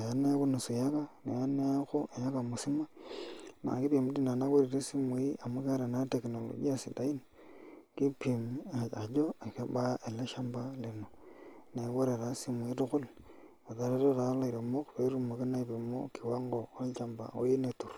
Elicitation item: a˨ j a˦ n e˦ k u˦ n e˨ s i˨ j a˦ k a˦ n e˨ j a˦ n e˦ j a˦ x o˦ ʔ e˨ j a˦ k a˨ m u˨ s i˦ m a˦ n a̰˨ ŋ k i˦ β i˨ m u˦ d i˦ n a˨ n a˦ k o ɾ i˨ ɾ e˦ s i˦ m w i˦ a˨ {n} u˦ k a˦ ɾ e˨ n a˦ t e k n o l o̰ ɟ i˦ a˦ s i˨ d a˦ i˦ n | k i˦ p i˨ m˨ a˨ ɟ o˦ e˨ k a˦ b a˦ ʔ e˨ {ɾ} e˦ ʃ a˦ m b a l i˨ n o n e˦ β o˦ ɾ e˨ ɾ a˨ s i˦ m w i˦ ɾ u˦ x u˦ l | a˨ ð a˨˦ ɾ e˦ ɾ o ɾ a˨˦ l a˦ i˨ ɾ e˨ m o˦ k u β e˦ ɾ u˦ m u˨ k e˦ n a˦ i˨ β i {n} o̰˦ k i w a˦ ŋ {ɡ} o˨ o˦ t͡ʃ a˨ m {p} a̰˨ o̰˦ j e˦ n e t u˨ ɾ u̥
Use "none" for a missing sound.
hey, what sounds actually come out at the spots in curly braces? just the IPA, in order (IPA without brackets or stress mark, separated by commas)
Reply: m, l, m, ɡ, b